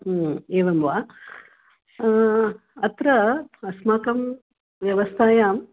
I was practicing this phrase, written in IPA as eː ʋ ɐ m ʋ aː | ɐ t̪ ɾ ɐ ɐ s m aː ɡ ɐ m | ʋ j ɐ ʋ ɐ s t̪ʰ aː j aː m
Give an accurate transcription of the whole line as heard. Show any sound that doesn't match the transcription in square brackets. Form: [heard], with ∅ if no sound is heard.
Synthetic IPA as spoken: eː ʋ ɐ m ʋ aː | ɐ t̪ ɾ ɐ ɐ s m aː [k] ɐ m | ʋ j ɐ ʋ ɐ s t̪ʰ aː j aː m